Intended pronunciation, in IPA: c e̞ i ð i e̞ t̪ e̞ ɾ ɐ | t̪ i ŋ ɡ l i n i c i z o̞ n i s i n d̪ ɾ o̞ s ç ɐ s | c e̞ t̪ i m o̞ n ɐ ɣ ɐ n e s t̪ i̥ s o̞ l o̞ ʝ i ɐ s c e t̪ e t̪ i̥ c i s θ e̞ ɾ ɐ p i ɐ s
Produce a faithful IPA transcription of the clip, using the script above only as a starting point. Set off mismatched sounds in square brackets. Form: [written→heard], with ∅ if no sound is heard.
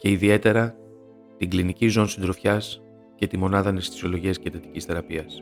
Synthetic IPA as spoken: c e̞ i ð i e̞ t̪ e̞ ɾ ɐ | t̪ i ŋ ɡ l i n i c i z o̞ n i s i n d̪ ɾ o̞ [s→f] ç ɐ s | c e̞ t̪ i m o̞ n ɐ [ɣ→ð] ɐ n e s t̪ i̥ s o̞ l o̞ ʝ i ɐ s c e t̪ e t̪ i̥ c i s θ e̞ ɾ ɐ p i ɐ s